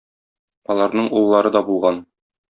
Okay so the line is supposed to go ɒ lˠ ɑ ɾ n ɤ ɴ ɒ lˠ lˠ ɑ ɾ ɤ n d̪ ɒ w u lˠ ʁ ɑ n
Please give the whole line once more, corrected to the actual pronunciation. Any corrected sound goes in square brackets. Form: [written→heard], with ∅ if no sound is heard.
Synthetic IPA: ɒ lˠ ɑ ɾ n ɤ ɴ [ɒ→u] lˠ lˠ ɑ ɾ ɤ [n→∅] d̪ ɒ [w→b] u lˠ ʁ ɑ n